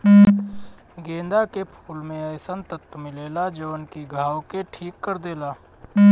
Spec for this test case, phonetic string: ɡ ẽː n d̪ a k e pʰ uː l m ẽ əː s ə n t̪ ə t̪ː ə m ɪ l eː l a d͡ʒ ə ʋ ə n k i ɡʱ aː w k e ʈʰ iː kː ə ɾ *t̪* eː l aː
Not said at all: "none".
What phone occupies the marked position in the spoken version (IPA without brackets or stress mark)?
d̪